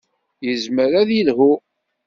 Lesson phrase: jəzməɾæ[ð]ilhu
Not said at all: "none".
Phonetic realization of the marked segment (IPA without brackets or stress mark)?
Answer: ð